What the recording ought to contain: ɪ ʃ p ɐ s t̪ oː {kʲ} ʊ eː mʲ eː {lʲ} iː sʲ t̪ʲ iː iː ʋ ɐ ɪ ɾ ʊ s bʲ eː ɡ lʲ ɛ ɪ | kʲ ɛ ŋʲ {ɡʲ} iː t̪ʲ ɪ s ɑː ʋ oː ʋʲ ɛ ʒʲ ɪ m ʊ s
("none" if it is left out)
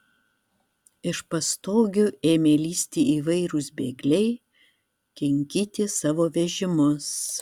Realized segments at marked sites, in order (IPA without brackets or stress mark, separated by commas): ɡʲ, lʲ, kʲ